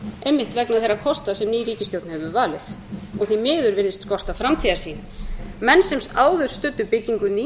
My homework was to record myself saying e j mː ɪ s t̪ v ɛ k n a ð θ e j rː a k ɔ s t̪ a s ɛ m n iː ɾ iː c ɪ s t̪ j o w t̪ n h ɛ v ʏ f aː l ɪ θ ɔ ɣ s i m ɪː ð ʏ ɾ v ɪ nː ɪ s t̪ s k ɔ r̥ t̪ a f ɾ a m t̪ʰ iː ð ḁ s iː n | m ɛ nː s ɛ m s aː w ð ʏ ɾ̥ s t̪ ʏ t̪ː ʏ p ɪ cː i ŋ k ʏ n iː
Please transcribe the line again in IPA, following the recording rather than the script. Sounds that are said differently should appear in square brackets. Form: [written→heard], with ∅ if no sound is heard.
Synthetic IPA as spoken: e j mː ɪ [s→h] t̪ v ɛ k n a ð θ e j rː a [k→kʰ] ɔ s t̪ a s ɛ m n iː ɾ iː c ɪ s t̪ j o w t̪ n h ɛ v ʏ [f→v] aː l ɪ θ ɔ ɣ [s→θ] i m ɪː ð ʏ ɾ v ɪ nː ɪ s t̪ s k ɔ r̥ t̪ a f ɾ a m t̪ʰ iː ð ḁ s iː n | m ɛ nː s ɛ m s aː w ð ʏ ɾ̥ s t̪ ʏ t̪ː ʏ p ɪ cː i ŋ k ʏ n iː